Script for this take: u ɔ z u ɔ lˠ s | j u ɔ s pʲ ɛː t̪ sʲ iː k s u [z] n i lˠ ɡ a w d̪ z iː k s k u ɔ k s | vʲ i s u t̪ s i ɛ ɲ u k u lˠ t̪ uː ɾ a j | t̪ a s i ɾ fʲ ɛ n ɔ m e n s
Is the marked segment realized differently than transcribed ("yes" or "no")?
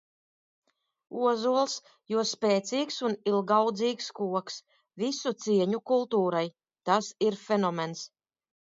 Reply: yes